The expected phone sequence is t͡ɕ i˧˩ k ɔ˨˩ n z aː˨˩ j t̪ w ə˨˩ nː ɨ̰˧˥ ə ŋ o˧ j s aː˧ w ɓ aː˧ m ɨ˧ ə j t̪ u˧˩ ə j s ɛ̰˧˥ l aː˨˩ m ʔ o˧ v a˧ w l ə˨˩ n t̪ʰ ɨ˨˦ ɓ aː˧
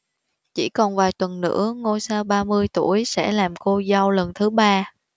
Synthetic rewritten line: t͡ɕ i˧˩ k ɔ˨˩ n v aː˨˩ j t̪ w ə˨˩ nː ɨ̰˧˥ ə ŋ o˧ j s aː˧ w ɓ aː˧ m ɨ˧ ə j t̪ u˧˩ ə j s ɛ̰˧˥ l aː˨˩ m k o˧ z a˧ w l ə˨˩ n t̪ʰ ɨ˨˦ ɓ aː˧